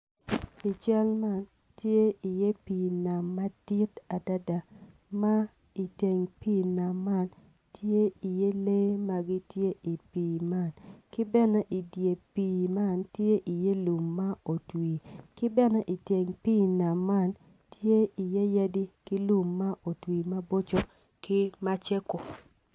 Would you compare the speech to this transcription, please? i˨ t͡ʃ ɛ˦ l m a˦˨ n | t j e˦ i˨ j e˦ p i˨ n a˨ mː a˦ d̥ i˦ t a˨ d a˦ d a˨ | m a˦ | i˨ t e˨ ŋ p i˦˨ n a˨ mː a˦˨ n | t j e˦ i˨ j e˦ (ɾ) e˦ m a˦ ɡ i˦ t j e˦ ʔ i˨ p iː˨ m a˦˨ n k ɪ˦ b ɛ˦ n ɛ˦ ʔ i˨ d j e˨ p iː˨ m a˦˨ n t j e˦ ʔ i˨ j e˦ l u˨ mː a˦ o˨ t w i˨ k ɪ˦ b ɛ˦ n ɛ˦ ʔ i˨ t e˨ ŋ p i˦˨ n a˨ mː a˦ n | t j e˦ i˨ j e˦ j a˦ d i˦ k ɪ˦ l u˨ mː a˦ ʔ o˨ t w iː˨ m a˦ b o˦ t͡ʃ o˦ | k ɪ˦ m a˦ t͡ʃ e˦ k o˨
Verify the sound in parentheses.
incorrect: l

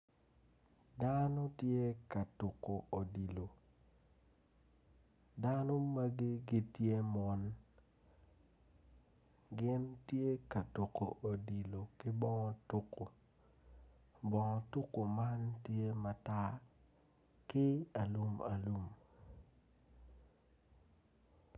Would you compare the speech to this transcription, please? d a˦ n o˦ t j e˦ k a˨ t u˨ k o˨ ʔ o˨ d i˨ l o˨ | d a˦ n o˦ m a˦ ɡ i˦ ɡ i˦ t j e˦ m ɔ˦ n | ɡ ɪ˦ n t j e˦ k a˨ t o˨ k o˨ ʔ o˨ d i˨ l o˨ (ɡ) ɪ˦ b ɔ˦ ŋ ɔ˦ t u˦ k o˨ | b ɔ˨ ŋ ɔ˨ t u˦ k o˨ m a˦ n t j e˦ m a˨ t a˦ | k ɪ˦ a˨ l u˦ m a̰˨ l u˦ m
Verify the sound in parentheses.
incorrect: k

